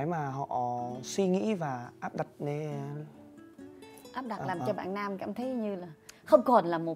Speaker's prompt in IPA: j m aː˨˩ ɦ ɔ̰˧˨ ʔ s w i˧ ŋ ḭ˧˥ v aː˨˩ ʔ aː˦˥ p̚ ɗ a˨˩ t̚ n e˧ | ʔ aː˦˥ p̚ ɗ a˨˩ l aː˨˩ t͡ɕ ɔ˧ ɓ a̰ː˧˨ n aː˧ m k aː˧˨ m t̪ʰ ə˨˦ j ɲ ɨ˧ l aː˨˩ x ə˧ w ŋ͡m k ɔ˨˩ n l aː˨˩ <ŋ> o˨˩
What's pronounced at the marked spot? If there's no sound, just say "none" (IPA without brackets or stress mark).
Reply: m